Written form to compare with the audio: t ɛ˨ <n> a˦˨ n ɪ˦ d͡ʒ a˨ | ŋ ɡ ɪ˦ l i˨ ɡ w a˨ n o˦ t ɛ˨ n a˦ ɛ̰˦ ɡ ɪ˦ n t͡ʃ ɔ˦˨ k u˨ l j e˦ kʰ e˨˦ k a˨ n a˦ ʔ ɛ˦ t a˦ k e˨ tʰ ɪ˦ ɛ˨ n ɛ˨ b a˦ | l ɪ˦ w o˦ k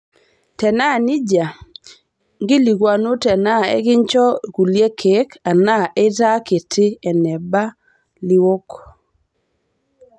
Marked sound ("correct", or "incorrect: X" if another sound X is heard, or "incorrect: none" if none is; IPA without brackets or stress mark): correct